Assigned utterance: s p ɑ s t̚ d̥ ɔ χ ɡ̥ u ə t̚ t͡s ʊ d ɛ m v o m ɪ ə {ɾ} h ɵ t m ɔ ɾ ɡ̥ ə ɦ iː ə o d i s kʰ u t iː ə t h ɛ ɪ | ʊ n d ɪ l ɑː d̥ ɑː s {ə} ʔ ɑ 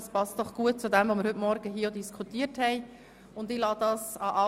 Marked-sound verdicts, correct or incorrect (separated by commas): correct, incorrect